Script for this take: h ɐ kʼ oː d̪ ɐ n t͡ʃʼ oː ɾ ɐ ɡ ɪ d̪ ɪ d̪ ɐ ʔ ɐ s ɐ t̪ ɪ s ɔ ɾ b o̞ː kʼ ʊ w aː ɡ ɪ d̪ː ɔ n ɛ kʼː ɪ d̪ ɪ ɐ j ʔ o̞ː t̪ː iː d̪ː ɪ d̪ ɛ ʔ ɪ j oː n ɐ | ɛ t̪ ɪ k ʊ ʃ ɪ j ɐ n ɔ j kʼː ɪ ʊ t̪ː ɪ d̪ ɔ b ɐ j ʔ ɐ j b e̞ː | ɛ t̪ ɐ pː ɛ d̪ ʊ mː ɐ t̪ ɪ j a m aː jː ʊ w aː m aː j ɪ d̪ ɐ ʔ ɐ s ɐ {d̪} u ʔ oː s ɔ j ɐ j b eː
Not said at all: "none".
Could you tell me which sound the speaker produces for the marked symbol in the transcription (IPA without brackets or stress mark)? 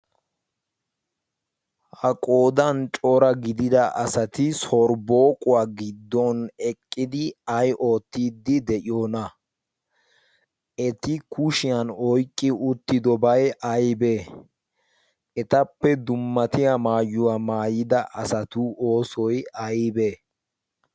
t̪